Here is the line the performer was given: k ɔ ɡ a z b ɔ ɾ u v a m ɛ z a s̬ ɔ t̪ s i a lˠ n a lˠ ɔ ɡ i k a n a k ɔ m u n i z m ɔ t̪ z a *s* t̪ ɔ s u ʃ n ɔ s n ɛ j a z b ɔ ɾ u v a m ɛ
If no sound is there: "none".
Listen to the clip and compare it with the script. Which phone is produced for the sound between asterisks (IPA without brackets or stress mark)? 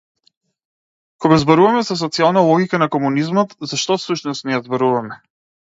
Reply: ʃ